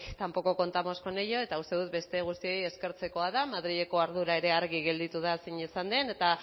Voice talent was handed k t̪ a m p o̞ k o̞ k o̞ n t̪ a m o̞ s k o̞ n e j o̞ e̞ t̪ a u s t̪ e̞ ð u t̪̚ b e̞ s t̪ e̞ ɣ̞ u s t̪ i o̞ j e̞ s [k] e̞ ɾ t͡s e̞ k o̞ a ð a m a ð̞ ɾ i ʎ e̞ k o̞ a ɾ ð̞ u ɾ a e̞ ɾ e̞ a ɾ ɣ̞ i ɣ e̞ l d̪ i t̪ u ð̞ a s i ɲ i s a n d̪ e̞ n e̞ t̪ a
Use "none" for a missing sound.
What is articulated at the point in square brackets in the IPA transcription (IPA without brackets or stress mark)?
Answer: k